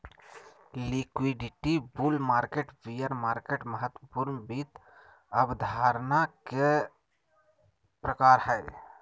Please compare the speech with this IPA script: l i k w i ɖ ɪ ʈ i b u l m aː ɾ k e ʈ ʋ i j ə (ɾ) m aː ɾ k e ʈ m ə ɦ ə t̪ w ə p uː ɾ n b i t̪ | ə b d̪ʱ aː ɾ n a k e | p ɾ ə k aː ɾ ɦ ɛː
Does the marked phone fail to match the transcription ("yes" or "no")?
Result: no